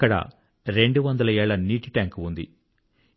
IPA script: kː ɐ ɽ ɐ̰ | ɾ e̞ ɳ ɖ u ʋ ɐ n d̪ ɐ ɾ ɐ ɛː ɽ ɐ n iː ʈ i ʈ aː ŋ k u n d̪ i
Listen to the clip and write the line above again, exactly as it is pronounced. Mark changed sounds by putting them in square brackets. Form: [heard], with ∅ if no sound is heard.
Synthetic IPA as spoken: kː ɐ ɽ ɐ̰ | ɾ e̞ ɳ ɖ u ʋ ɐ n d̪ ɐ [l] ɐ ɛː [ɭ] ɐ n iː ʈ i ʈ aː ŋ k u n d̪ i